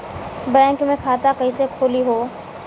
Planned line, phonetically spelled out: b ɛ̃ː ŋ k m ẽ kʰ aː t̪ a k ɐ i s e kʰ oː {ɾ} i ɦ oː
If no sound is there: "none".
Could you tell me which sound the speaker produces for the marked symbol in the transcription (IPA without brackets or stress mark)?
l